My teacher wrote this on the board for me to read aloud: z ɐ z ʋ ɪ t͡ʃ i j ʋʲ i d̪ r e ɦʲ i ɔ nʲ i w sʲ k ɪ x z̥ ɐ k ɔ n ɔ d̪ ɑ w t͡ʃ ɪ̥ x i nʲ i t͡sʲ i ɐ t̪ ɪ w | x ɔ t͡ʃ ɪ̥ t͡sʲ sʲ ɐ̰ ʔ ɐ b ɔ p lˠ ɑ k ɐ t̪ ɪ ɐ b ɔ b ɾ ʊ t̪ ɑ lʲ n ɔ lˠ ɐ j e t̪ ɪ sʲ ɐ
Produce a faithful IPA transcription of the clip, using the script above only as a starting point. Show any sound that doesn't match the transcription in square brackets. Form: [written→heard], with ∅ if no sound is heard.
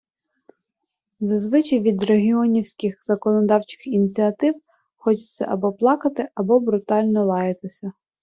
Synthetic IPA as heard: z ɐ z ʋ ɪ t͡ʃ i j ʋʲ i d̪ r e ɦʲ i ɔ nʲ i w sʲ k ɪ x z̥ ɐ k ɔ n ɔ d̪ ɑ w t͡ʃ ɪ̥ x i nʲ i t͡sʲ i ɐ t̪ ɪ w | x ɔ t͡ʃ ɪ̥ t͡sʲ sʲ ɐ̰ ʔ ɐ b ɔ p lˠ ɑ k ɐ t̪ ɪ ɐ b ɔ b ɾ ʊ t̪ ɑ lʲ n ɔ lˠ [ɐ→ɑ] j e t̪ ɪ sʲ ɐ

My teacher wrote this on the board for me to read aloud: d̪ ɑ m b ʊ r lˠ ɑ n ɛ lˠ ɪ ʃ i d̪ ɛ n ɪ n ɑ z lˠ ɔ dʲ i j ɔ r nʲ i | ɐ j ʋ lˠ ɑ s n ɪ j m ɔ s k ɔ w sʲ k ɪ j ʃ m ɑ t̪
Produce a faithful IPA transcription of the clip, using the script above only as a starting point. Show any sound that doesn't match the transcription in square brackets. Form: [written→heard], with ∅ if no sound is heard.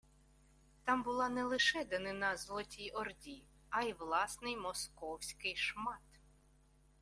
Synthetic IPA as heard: [d̪→t̪] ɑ m b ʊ [r→∅] lˠ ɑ n ɛ lˠ ɪ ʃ [i→ɛ] d̪ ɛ n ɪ n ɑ z lˠ ɔ [dʲ→tʲ] i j ɔ r [nʲ→dʲ] i | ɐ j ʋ lˠ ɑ s n ɪ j m ɔ s k ɔ w sʲ k ɪ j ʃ m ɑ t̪

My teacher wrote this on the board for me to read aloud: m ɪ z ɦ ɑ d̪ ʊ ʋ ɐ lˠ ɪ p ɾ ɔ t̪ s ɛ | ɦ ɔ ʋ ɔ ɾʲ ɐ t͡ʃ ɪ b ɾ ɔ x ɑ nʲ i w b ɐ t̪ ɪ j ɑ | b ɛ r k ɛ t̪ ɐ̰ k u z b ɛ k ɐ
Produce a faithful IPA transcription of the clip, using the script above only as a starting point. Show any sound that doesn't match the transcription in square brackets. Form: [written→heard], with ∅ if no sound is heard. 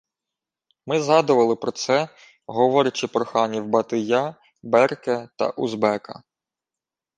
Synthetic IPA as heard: m ɪ z ɦ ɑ d̪ ʊ ʋ ɐ lˠ ɪ p ɾ ɔ t̪ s ɛ | ɦ ɔ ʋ ɔ ɾʲ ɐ t͡ʃ ɪ [b→p] ɾ ɔ x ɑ nʲ i w b ɐ t̪ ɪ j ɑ | b ɛ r k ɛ t̪ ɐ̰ [k→ʔ] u z b ɛ k ɐ

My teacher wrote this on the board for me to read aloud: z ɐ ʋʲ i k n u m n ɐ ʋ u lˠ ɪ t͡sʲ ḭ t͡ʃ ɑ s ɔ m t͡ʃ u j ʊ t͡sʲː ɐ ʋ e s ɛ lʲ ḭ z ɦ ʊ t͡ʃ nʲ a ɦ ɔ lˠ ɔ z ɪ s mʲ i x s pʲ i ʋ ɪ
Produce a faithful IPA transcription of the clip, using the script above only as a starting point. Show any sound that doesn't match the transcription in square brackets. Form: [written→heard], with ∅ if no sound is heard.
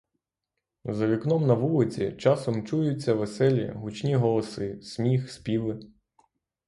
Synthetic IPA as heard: z ɐ ʋʲ i k n [u→ɔ] m n ɐ ʋ u lˠ ɪ t͡sʲ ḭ t͡ʃ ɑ s ɔ m t͡ʃ u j ʊ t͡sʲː ɐ ʋ e s ɛ lʲ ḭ [z→∅] ɦ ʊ t͡ʃ nʲ [a→i] ɦ ɔ lˠ ɔ [z→s] ɪ s mʲ i x s pʲ i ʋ ɪ

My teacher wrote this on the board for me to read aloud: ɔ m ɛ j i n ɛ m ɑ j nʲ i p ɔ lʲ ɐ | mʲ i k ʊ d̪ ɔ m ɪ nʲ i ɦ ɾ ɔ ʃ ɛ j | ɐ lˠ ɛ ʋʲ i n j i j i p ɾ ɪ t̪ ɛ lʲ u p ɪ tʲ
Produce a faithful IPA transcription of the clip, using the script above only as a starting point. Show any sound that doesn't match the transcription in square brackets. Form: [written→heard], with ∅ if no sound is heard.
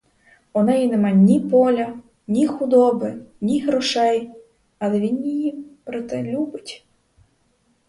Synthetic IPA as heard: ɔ [m→n] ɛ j i n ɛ m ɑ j nʲ i p ɔ lʲ ɐ | [mʲ→nʲ] i [k→x] ʊ d̪ ɔ [m→b] ɪ nʲ i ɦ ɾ ɔ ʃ ɛ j | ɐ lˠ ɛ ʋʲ i n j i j i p ɾ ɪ t̪ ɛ lʲ u [p→b] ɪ tʲ

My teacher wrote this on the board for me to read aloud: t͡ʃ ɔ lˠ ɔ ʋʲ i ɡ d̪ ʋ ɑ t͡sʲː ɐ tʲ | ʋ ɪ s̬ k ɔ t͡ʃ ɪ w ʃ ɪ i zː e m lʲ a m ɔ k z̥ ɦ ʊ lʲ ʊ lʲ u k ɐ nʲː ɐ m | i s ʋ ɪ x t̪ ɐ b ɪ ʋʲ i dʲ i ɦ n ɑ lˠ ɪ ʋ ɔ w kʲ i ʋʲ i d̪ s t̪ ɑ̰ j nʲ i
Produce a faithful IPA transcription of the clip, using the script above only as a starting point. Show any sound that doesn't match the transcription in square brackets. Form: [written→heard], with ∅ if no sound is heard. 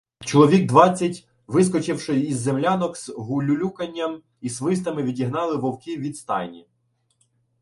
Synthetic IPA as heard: t͡ʃ ɔ lˠ ɔ ʋʲ i ɡ d̪ ʋ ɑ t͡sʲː ɐ tʲ | ʋ ɪ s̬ k ɔ t͡ʃ ɪ w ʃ ɪ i zː e m lʲ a [m→n] ɔ k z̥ ɦ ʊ lʲ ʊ lʲ u k ɐ nʲː ɐ m | i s ʋ ɪ [x→s] t̪ ɐ [b→m] ɪ ʋʲ i dʲ i ɦ n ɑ lˠ ɪ ʋ ɔ w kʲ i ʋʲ i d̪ s t̪ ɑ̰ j nʲ i

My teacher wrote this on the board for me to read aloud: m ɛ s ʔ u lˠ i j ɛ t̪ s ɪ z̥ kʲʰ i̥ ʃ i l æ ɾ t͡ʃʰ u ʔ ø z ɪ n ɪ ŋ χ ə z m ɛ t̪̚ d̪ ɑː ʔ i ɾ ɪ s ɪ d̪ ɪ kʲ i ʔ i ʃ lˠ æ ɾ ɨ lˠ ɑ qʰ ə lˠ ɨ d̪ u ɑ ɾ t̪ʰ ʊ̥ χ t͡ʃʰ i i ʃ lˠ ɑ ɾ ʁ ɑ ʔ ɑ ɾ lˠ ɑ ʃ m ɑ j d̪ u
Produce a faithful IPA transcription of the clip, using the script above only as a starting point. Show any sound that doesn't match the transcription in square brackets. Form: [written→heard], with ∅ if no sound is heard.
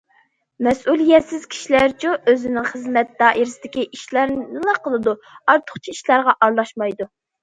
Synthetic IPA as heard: m ɛ s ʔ u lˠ i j ɛ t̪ s ɪ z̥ kʲʰ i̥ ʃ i l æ ɾ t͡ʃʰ u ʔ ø z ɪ n ɪ ŋ χ ə z m ɛ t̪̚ d̪ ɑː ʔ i ɾ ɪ s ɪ d̪ ɪ kʲ i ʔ i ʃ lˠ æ ɾ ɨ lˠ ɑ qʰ ə lˠ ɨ d̪ u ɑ ɾ t̪ʰ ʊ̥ χ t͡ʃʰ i i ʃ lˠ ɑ ɾ ʁ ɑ ʔ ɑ ɾ lˠ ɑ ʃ m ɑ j d̪ u

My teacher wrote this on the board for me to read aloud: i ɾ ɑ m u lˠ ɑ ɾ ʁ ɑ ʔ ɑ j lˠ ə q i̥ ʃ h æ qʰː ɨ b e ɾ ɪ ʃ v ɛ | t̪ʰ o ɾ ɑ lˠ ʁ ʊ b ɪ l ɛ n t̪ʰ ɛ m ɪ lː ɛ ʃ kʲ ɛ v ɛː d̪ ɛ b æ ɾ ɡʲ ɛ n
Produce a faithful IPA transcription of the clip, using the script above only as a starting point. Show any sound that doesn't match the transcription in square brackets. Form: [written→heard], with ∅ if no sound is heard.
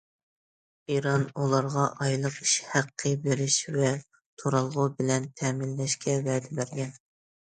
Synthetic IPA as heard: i ɾ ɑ [m→n] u lˠ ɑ ɾ ʁ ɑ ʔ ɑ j lˠ ə q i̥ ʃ h æ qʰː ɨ b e ɾ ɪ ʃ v ɛ | t̪ʰ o ɾ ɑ lˠ ʁ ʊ b ɪ l ɛ n t̪ʰ ɛ m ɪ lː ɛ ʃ kʲ ɛ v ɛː d̪ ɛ b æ ɾ ɡʲ ɛ n

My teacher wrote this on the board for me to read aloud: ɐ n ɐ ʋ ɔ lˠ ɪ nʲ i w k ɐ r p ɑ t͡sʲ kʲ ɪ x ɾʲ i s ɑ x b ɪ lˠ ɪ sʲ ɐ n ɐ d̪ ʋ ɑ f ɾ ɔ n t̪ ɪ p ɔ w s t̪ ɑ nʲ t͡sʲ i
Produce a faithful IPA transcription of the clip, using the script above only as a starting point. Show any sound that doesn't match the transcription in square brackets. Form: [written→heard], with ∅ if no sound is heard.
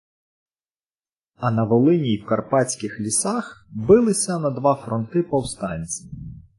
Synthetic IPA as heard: ɐ n ɐ ʋ ɔ lˠ ɪ nʲ i w k ɐ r p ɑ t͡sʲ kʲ ɪ x [ɾʲ→lʲ] i s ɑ x b ɪ lˠ ɪ sʲ ɐ n ɐ d̪ ʋ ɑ f ɾ ɔ n t̪ ɪ p ɔ w s t̪ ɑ nʲ t͡sʲ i

